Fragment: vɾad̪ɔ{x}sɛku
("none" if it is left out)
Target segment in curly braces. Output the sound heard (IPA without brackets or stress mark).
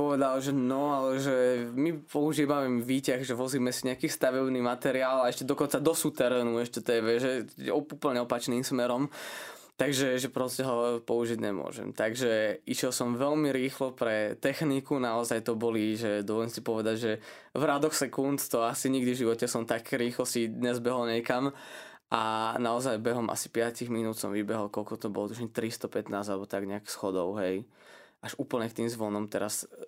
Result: x